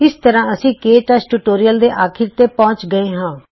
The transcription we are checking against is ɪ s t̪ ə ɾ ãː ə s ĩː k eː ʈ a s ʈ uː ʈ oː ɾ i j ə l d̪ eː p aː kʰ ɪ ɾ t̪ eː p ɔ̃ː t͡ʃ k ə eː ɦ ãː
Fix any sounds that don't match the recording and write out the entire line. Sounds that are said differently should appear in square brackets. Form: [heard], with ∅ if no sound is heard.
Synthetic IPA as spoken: ɪ s t̪ ə ɾ ãː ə s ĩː k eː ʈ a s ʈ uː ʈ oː ɾ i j ə l d̪ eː [ʔ] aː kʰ ɪ ɾ t̪ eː p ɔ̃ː t͡ʃ [ɡ] ə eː ɦ ãː

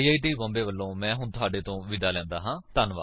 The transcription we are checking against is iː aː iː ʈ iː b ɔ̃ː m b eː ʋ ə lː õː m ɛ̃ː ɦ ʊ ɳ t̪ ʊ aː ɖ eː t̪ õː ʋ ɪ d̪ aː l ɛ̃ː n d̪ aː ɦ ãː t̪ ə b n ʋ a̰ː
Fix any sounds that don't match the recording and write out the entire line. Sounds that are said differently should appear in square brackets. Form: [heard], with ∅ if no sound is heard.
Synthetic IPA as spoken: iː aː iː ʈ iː b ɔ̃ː m b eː ʋ ə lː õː m ɛ̃ː ɦ ʊ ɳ t̪ ʊ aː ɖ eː t̪ õː ʋ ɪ d̪ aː l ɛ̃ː n d̪ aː ɦ ãː t̪ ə [∅] n ʋ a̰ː

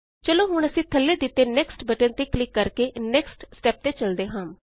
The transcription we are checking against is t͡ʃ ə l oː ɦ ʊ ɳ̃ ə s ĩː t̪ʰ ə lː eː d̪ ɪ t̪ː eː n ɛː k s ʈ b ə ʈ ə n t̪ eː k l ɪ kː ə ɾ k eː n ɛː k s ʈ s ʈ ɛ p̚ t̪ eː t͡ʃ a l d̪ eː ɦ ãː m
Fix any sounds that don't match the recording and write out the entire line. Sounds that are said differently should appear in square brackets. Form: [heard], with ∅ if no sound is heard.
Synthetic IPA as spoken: t͡ʃ ə l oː ɦ ʊ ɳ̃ ə s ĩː t̪ʰ ə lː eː d̪ ɪ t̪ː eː n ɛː k s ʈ b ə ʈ ə n t̪ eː k l ɪ kː ə ɾ k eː n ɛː k s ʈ s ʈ [ɛː] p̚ t̪ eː t͡ʃ [ə] l d̪ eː ɦ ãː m

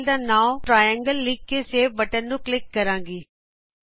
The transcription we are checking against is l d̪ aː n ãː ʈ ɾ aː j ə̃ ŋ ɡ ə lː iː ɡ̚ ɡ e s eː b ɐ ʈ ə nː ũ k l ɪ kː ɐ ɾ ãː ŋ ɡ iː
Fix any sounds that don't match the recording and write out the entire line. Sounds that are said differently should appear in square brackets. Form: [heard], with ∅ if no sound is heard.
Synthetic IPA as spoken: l d̪ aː n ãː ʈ ɾ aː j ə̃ ŋ ɡ ə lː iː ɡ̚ [k] e s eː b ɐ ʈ ə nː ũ k l ɪ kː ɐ ɾ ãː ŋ ɡ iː

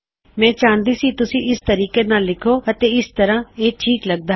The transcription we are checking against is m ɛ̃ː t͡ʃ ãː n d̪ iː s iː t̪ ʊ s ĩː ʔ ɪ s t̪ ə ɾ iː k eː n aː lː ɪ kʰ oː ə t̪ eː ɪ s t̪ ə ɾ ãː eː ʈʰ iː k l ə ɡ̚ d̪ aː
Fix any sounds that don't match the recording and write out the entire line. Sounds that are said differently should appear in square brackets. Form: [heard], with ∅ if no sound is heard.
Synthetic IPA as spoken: m ɛ̃ː t͡ʃ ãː n d̪ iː s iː t̪ ʊ s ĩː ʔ ɪ s t̪ ə ɾ iː k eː n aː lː ɪ kʰ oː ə t̪ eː ɪ s t̪ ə ɾ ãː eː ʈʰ iː k l ə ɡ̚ d̪ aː

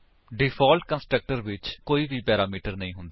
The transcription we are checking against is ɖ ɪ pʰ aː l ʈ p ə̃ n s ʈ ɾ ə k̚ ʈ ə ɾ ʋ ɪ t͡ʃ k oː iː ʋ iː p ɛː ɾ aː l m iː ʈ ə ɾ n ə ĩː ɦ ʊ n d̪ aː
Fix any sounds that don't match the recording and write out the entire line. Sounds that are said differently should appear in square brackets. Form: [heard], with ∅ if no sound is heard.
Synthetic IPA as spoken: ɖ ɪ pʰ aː l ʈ [k] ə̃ n s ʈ ɾ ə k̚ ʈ ə ɾ ʋ ɪ t͡ʃ k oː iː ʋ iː p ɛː ɾ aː [∅] m iː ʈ ə ɾ n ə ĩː ɦ ʊ n d̪ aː

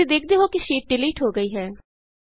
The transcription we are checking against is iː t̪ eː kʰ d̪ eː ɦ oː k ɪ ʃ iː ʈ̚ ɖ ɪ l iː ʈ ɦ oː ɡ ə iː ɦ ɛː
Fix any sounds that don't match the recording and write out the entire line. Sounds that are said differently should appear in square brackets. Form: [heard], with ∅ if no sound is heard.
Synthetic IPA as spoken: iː [d̪] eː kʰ d̪ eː ɦ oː k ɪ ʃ iː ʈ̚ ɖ ɪ l iː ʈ ɦ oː ɡ ə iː ɦ ɛː

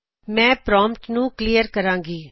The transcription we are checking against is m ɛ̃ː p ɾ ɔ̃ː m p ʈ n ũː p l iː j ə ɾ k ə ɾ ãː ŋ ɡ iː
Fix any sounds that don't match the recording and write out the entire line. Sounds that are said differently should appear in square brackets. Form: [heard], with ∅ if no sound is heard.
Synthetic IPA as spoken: m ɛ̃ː p ɾ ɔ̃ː m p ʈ n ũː [k] l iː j ə ɾ k ə ɾ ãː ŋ ɡ iː

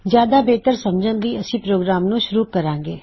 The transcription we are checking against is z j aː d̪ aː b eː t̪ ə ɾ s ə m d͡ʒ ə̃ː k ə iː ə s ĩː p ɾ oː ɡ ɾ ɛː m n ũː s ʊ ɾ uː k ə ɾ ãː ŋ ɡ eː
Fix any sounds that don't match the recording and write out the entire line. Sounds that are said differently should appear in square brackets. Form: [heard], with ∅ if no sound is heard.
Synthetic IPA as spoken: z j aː d̪ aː b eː t̪ ə ɾ s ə m d͡ʒ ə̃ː [ɡ] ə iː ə s ĩː p ɾ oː ɡ ɾ [aː] m n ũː [ʃ] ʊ ɾ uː k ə ɾ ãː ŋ ɡ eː

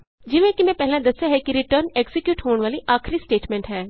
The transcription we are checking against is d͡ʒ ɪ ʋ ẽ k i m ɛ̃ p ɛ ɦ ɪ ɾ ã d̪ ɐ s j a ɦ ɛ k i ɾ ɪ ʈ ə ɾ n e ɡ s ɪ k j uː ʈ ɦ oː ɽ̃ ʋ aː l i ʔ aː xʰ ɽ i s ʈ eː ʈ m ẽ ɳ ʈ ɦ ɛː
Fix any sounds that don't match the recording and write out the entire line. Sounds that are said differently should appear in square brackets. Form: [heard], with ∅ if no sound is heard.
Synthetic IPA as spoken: d͡ʒ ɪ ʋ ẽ k i m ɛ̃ p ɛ ɦ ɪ [l] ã d̪ ɐ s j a ɦ ɛ k i ɾ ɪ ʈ ə ɾ n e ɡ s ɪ k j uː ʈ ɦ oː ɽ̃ ʋ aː l i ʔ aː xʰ [ɾ] i s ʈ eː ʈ m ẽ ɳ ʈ ɦ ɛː

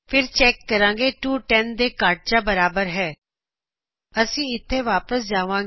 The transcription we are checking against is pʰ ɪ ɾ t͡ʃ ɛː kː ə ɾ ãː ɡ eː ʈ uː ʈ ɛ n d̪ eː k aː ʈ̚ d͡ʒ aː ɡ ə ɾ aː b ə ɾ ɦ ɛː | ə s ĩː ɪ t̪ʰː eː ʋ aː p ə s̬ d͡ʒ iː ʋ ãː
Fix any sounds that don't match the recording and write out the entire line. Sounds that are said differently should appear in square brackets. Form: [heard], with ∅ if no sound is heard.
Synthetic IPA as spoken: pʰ ɪ ɾ t͡ʃ ɛː kː ə ɾ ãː ɡ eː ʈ uː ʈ ɛ n d̪ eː k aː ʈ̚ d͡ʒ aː [b] ə ɾ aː b ə ɾ ɦ ɛː | ə s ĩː ɪ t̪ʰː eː ʋ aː p ə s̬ d͡ʒ [aː] ʋ ãː

